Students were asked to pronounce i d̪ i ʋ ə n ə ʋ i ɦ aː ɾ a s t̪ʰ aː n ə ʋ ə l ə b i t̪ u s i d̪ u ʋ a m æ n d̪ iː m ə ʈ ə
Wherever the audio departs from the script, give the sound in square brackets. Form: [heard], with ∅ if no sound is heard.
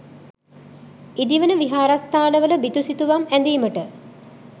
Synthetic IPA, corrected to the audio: i d̪ i ʋ ə n ə ʋ i ɦ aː ɾ a s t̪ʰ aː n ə ʋ ə l ə b i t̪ u s i [t̪] u ʋ a m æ n d̪ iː m ə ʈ ə